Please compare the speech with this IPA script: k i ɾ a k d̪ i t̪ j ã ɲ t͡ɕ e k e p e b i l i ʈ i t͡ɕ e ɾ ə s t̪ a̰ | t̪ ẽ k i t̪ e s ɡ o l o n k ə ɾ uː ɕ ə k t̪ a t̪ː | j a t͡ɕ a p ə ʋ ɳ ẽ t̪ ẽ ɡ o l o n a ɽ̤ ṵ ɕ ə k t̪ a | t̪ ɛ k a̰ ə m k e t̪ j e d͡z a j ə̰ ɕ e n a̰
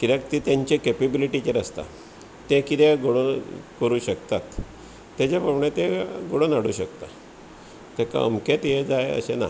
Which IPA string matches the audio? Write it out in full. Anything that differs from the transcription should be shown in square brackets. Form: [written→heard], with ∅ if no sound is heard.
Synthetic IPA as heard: k i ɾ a k [d̪→t̪] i t̪ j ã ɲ t͡ɕ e k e p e b i l i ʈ i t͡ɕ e ɾ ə s t̪ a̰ | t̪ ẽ k i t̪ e [s→∅] ɡ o [l→ɽ] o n k ə ɾ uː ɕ ə k t̪ a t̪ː | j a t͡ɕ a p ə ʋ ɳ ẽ t̪ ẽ ɡ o [l→ɽ] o n a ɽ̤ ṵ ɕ ə k t̪ a | t̪ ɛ k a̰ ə m k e t̪ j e d͡z a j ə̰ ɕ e n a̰